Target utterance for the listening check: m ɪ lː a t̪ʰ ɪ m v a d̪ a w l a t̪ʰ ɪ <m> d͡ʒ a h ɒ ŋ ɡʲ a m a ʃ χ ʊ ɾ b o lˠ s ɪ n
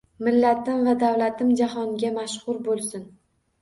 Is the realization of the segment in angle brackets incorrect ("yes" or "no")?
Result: no